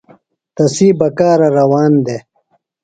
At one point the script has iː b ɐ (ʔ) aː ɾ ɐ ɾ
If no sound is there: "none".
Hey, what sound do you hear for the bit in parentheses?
k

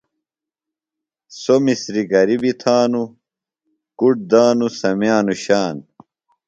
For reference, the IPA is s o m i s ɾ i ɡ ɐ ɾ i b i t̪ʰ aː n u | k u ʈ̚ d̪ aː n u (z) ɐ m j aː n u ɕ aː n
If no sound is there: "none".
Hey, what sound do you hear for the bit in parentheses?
s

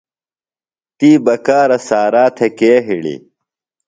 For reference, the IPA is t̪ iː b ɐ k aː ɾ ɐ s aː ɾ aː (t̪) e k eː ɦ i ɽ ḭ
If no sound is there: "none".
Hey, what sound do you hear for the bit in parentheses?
t̪ʰ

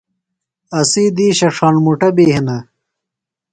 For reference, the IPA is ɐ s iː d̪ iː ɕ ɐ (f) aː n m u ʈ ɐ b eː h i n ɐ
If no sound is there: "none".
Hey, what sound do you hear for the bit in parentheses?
ʂ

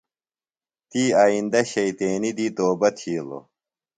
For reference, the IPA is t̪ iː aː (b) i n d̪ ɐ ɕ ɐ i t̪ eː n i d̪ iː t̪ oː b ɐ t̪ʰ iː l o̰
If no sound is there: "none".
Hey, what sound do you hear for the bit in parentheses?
none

